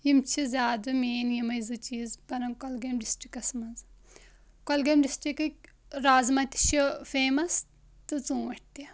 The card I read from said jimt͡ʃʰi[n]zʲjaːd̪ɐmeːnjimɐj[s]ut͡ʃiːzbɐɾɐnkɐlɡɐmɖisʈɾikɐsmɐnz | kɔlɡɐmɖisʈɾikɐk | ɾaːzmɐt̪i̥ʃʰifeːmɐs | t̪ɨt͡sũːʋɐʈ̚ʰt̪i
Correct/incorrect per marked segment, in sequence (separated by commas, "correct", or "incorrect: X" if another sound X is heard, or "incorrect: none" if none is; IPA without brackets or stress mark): incorrect: none, incorrect: z